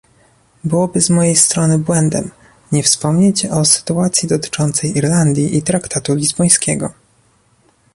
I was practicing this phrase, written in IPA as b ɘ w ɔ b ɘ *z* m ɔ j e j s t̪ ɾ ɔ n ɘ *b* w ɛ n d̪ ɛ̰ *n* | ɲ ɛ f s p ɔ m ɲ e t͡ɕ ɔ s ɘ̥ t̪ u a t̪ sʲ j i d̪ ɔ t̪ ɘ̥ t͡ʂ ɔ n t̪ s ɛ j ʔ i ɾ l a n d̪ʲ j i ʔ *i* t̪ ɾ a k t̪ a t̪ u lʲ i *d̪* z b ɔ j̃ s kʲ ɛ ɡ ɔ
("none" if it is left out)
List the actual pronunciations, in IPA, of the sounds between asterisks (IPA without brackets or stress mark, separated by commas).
z, b, m, i, none